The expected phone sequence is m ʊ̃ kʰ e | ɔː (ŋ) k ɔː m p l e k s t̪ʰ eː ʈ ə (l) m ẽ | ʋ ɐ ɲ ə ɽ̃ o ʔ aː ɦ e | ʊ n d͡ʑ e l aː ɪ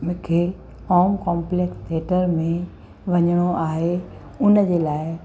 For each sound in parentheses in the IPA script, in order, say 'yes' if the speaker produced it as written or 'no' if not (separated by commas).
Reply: no, no